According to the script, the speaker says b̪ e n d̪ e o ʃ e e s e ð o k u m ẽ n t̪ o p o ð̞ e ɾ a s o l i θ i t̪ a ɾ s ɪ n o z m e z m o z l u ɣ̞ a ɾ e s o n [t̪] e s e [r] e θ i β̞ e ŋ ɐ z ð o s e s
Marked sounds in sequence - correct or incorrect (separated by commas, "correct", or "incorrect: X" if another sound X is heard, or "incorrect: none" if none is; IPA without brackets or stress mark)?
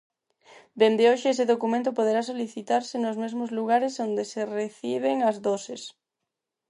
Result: incorrect: d̪, correct